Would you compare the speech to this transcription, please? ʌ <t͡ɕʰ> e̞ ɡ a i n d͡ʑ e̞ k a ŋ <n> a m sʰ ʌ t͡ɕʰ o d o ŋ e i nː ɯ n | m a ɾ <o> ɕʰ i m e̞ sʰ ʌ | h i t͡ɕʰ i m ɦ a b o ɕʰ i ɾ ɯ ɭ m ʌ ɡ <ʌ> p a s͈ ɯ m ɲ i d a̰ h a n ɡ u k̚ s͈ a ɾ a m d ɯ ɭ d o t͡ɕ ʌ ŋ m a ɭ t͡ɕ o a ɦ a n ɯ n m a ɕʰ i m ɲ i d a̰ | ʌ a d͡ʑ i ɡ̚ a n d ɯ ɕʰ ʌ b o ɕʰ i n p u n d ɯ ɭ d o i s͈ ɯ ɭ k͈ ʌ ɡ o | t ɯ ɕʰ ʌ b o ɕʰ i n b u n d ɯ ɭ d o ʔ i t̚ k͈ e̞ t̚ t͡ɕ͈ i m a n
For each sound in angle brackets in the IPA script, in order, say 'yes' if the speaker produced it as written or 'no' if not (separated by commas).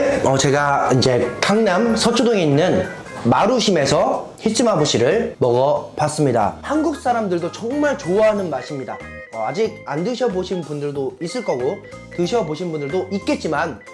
no, yes, no, yes